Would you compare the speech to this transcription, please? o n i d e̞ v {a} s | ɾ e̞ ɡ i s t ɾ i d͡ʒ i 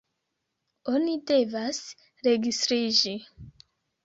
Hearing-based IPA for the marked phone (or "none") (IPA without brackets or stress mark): a